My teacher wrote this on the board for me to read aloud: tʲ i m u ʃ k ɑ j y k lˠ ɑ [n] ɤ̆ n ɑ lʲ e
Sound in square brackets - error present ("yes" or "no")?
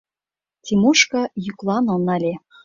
no